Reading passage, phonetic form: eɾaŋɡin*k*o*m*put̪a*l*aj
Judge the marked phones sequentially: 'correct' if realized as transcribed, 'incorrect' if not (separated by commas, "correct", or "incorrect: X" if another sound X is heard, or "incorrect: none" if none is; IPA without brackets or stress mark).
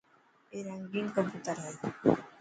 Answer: correct, correct, incorrect: ɾ